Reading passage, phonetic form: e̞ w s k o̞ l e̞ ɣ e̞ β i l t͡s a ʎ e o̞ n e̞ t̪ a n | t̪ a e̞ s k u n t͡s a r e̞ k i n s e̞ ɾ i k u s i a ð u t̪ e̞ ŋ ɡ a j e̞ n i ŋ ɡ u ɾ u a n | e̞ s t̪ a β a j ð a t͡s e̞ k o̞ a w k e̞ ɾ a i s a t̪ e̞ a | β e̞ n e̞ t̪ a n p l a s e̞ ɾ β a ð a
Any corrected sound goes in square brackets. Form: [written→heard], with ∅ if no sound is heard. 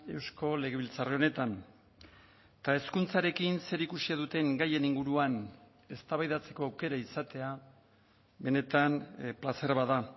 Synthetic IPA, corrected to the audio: e̞ w s k o̞ l e̞ ɣ e̞ β i l t͡s a [ʎ→r] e o̞ n e̞ t̪ a n | t̪ a e̞ s k u n t͡s a [r→ɾ] e̞ k i n s e̞ ɾ i k u s i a ð u t̪ e̞ ŋ ɡ a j e̞ n i ŋ ɡ u ɾ u a n | e̞ s t̪ a β a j ð a t͡s e̞ k o̞ a w k e̞ ɾ a i s a t̪ e̞ a | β e̞ n e̞ t̪ a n p l a s e̞ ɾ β a ð a